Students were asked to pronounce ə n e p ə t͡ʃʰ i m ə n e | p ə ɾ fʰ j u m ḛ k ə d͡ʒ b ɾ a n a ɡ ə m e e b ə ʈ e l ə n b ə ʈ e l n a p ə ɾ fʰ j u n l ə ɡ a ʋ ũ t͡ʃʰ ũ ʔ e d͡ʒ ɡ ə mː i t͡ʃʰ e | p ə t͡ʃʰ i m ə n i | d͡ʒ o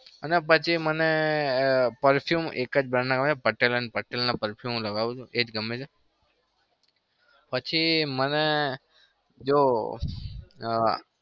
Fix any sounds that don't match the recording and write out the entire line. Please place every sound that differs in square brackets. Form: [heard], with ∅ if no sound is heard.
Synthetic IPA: ə n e p ə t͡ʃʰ i m ə n e | p ə ɾ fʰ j u m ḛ k ə d͡ʒ b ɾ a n a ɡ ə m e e [p] ə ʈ e l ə n [p] ə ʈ e l n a p ə ɾ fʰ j u [m] l ə ɡ a ʋ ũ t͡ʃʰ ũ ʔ e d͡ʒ ɡ ə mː [e] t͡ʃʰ e | p ə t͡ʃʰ i m ə n [e] | d͡ʒ o